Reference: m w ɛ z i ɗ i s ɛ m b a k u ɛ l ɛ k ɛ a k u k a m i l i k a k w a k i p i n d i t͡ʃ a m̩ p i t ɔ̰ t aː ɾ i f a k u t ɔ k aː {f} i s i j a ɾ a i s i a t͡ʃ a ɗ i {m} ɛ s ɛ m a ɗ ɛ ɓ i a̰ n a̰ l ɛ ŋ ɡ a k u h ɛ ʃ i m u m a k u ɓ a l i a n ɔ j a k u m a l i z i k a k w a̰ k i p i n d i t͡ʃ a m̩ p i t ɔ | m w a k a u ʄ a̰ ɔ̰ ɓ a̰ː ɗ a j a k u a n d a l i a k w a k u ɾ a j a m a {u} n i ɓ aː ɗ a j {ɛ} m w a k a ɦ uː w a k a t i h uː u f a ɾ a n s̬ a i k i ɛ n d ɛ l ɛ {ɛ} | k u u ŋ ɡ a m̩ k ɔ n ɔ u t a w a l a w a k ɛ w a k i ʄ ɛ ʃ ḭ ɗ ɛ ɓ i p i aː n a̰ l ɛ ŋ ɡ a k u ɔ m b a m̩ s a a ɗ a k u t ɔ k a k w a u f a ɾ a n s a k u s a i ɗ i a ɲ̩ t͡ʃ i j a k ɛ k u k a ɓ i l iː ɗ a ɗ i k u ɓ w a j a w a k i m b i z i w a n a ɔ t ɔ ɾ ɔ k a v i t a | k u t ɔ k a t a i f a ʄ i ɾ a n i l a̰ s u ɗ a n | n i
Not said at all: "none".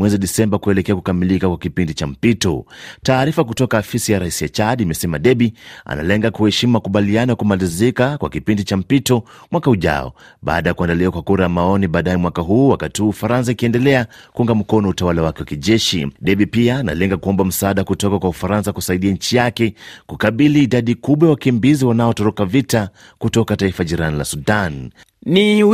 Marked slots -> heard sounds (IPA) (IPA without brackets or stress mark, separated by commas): f, m, ɔ, ɛ, a